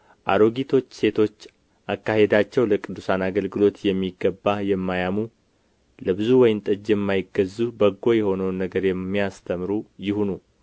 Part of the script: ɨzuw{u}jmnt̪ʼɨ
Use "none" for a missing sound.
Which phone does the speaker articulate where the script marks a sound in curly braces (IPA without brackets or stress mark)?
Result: ɔ